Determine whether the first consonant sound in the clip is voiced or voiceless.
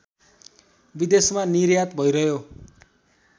voiced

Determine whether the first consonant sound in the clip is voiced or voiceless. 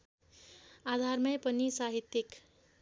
voiced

